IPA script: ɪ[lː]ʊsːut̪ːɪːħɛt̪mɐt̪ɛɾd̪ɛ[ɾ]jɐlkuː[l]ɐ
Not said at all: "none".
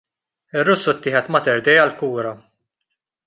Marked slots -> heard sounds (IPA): rː, none, ɾ

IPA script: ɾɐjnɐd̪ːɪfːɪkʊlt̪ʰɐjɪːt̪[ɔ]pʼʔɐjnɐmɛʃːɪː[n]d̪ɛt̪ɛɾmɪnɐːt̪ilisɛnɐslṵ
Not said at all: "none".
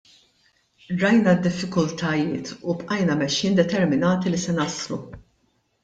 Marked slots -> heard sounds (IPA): u, n

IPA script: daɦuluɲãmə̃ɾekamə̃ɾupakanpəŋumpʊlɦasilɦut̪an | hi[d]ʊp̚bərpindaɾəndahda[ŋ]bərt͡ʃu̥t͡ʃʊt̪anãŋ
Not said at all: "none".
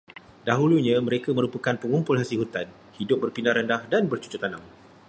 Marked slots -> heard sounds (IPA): d, n

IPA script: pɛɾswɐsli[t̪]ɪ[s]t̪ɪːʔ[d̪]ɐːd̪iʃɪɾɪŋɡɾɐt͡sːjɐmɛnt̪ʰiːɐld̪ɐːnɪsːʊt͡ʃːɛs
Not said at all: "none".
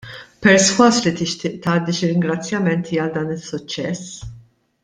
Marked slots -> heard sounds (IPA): t̪, ʃ, t̪

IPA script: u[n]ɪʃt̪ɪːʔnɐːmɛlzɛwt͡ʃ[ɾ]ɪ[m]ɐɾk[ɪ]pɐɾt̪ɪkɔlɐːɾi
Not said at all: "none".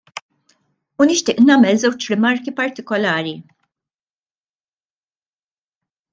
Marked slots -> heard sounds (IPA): n, ɾ, m, i

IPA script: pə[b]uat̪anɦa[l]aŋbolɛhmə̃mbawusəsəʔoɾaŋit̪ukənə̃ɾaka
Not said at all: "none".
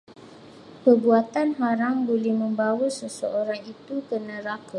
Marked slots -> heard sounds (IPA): b, ɾ

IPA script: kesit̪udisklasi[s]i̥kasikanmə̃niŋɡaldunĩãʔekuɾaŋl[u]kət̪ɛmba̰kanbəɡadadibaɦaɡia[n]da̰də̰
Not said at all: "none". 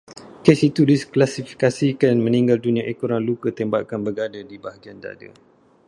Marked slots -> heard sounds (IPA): f, u, n

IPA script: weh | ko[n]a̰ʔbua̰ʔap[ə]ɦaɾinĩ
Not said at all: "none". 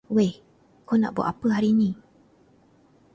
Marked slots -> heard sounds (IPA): n, ə

